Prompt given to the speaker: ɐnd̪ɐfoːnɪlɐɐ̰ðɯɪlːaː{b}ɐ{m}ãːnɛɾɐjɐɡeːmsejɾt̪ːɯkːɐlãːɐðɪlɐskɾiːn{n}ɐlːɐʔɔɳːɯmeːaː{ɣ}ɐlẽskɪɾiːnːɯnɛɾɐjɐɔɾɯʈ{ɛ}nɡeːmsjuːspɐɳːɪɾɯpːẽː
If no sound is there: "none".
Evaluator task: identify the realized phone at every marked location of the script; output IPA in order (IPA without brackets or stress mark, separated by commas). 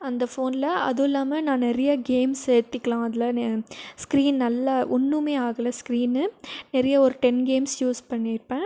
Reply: m, n, n, ɣ, ɛ